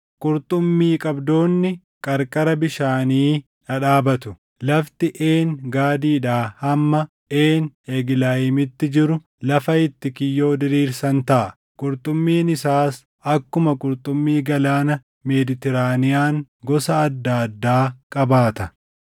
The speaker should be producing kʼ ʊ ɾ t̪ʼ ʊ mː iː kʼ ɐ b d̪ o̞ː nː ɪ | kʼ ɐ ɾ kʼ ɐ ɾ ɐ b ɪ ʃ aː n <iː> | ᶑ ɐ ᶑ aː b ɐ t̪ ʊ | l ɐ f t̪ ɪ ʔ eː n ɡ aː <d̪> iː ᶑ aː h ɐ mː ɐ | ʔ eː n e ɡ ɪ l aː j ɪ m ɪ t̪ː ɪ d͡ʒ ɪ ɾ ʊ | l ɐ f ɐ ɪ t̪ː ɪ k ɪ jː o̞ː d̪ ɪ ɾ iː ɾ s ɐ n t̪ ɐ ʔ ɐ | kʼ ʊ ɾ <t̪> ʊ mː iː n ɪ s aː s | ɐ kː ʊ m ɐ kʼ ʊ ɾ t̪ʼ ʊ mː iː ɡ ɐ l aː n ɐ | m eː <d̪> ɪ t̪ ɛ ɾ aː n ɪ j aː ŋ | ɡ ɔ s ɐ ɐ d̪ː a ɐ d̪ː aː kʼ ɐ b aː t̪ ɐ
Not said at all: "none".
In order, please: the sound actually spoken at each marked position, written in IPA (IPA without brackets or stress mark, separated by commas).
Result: iː, d̪, t̪ʼ, d̪